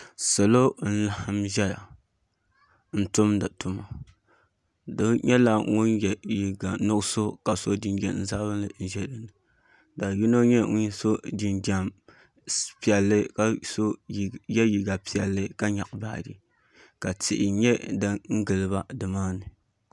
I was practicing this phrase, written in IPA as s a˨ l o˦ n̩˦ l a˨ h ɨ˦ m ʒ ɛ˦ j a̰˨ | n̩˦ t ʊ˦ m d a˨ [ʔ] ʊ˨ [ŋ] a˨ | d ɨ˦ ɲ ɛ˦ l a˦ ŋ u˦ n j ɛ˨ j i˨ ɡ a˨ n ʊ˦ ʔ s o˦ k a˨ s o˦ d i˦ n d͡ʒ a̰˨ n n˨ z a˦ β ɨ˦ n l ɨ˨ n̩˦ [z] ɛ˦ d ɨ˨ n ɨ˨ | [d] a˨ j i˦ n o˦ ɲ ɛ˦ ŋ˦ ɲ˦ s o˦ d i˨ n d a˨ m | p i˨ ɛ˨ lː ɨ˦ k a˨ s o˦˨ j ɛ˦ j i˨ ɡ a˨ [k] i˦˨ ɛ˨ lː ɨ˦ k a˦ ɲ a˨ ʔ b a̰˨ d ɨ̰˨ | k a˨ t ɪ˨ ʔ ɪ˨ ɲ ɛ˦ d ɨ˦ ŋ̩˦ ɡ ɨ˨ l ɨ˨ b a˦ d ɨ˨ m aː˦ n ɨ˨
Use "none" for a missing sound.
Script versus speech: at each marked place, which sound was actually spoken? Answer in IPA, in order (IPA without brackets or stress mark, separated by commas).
t, m, ʒ, d, p